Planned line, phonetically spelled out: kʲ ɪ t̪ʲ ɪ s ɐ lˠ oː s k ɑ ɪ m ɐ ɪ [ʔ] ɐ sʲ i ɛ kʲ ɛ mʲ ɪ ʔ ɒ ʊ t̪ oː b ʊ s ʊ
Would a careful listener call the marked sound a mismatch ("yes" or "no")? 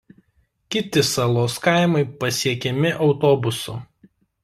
yes